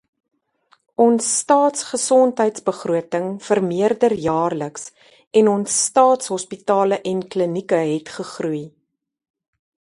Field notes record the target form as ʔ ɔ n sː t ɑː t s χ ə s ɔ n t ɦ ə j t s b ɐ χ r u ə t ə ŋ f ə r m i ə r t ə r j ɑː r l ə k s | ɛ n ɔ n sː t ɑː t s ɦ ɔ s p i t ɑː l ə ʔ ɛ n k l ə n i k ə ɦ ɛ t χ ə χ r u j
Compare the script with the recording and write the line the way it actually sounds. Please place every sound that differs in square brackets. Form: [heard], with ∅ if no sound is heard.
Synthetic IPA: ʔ ɔ n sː t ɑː t s χ ə s ɔ n t ɦ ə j t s b [ə] χ r u ə t ə ŋ f ə r m i ə r [d] ə r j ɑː r l ə k s | ɛ n ɔ n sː t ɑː t s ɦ ɔ s p i t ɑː l ə ʔ ɛ n k l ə n i k ə ɦ ɛ t χ ə χ r u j